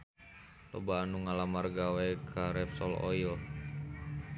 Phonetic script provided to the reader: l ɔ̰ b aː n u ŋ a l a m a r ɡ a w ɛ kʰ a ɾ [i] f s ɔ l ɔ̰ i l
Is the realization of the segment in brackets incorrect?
yes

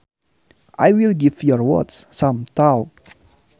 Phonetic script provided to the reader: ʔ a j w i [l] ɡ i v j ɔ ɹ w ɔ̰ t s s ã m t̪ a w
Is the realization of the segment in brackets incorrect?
no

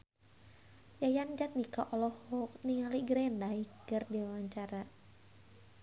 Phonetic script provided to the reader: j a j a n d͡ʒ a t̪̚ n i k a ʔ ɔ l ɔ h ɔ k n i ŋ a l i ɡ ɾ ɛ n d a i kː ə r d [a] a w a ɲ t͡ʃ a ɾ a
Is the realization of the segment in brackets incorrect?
yes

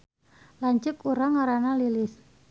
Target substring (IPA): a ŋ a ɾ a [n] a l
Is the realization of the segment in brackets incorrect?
no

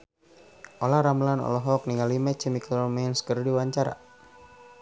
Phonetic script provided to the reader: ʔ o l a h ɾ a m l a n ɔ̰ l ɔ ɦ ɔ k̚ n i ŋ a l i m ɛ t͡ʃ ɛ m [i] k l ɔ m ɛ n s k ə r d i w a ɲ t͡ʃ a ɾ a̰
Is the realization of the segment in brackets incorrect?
no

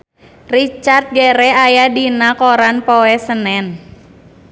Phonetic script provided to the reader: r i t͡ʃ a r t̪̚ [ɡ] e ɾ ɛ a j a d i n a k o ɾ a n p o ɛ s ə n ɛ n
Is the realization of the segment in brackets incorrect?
no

